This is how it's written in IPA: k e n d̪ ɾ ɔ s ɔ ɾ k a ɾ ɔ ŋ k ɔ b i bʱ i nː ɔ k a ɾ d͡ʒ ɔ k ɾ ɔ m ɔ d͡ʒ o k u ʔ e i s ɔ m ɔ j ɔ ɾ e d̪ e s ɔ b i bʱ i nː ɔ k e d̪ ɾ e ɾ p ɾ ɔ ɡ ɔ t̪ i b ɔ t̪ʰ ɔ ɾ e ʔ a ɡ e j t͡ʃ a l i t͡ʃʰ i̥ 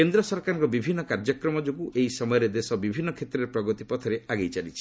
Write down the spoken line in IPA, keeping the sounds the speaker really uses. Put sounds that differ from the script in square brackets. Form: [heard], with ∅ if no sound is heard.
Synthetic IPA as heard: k e n d̪ ɾ ɔ s ɔ ɾ k a ɾ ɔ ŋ k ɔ b i bʱ i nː ɔ k a ɾ d͡ʒ ɔ k ɾ ɔ m ɔ d͡ʒ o k u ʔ e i s ɔ m ɔ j ɔ ɾ e d̪ e s ɔ b i bʱ i nː ɔ [kʰ] e [t̪] ɾ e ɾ p ɾ ɔ ɡ ɔ t̪ i [p] ɔ t̪ʰ ɔ ɾ e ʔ a ɡ e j t͡ʃ a l i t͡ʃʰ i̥